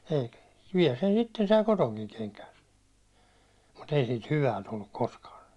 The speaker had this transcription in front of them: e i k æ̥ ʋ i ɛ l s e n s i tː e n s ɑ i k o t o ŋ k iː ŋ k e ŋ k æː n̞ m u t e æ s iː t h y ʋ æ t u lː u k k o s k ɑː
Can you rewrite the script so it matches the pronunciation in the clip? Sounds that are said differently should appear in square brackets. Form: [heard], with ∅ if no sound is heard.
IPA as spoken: e i k æ̥ ʋ i ɛ l s e n s i tː e n s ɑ i k o t o ŋ k [i] ŋ k e ŋ k æː n̞ m u t e [i] s iː t h y ʋ æ t u lː u k k o s k ɑː